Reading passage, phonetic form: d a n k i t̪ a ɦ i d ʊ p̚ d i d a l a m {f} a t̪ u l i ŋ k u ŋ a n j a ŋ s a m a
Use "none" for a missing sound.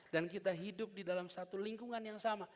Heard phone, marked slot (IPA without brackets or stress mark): s